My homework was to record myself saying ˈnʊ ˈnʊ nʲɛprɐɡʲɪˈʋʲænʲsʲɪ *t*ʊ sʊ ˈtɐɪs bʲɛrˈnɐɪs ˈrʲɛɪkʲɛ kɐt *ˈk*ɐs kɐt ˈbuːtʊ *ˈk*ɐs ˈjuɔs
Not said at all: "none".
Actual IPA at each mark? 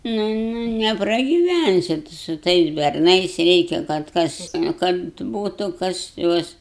t, k, k

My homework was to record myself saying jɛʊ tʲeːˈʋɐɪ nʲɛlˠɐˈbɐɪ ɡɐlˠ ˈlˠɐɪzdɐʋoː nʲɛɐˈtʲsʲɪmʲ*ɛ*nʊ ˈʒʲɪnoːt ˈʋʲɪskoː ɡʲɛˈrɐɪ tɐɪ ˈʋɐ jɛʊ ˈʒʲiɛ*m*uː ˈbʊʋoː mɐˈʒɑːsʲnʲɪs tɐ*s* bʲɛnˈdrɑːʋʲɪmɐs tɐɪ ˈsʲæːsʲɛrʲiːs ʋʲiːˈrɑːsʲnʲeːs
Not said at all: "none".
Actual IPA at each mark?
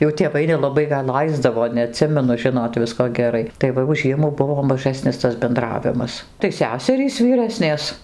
ɛ, m, s

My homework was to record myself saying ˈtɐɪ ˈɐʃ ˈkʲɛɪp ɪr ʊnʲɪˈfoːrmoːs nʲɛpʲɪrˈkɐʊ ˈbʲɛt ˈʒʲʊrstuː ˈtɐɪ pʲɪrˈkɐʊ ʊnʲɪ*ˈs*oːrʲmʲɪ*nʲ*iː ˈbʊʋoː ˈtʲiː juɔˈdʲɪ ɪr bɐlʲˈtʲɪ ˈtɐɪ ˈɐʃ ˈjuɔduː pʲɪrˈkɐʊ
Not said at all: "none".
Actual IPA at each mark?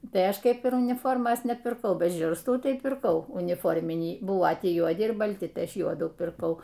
f, nʲ

